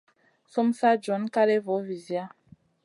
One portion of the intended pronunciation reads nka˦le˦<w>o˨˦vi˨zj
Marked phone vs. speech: incorrect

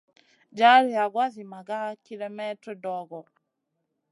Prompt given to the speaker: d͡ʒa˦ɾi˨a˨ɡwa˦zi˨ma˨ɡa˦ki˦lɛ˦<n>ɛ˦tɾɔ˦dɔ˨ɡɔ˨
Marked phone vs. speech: incorrect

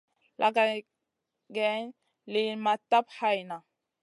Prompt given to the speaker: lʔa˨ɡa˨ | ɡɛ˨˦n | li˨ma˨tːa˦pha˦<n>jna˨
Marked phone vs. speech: incorrect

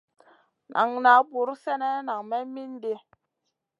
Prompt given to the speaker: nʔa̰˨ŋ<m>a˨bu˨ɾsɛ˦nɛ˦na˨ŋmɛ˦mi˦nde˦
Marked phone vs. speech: incorrect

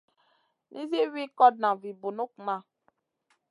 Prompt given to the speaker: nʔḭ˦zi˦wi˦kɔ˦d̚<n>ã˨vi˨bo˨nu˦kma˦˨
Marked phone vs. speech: correct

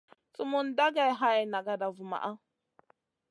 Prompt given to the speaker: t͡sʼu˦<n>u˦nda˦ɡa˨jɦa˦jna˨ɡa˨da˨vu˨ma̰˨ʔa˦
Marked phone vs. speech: incorrect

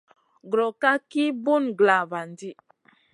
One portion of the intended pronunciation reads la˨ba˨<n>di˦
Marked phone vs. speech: correct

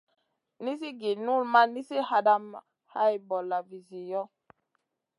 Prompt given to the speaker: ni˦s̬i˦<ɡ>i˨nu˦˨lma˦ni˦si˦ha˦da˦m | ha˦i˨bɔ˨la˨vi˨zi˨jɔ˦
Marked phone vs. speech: correct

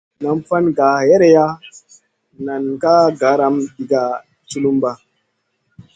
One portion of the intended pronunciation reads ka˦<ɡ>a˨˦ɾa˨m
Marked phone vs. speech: correct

